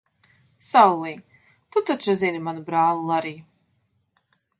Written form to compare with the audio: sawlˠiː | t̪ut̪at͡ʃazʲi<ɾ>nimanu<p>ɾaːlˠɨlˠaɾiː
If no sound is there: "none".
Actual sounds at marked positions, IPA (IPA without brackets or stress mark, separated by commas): none, b